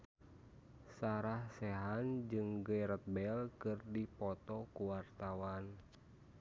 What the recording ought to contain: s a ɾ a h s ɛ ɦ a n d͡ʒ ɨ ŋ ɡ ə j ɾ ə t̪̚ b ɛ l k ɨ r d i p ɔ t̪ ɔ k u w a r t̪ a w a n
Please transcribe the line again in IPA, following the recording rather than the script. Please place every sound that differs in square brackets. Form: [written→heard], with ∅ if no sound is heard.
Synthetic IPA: s a ɾ a h s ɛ ɦ a n d͡ʒ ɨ ŋ ɡ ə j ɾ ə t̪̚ b ɛ l k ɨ r d i p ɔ t̪ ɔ k u w a r t̪ a w a n